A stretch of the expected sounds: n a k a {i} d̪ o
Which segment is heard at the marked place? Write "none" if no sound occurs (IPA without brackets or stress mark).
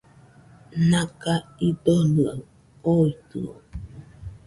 i